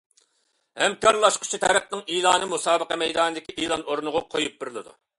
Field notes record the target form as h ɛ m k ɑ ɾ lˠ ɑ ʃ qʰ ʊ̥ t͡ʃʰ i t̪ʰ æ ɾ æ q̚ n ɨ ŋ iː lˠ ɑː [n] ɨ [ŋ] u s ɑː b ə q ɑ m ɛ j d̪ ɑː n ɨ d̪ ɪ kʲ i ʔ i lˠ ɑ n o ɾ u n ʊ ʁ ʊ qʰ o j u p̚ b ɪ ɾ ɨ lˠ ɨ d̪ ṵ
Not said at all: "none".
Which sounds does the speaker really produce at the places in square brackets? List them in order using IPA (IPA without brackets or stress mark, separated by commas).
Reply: n, m